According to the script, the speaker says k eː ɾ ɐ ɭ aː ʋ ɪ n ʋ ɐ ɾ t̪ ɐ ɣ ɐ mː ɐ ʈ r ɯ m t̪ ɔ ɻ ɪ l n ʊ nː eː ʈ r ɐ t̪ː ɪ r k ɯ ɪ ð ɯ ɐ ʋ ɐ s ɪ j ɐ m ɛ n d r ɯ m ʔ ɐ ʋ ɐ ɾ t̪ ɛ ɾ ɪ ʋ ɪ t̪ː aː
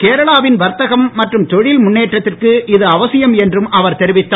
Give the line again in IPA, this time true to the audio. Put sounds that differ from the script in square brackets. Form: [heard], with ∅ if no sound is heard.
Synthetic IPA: k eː ɾ ɐ ɭ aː ʋ ɪ n ʋ ɐ ɾ t̪ ɐ ɣ ɐ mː ɐ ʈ r ɯ m t̪ ɔ ɻ ɪ l [m] ʊ nː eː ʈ r ɐ t̪ː ɪ r k ɯ ɪ ð ɯ ɐ ʋ ɐ s ɪ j ɐ m ɛ n d r ɯ m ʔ ɐ ʋ ɐ ɾ t̪ ɛ ɾ ɪ ʋ ɪ t̪ː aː